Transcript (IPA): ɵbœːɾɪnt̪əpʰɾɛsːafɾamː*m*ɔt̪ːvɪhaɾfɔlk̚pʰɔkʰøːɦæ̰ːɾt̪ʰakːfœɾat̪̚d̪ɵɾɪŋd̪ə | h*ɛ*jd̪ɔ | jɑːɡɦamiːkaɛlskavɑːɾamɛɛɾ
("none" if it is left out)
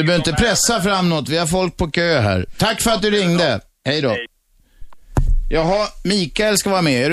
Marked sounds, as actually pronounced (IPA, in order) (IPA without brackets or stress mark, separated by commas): n, ɛ